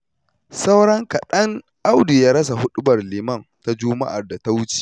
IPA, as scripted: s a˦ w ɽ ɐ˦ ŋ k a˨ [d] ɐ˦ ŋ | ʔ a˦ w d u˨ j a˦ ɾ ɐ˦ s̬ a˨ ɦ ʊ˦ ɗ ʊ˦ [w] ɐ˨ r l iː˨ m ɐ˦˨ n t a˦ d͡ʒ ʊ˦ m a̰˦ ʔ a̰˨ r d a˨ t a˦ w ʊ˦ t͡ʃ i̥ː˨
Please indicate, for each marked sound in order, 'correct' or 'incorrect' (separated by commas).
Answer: incorrect, incorrect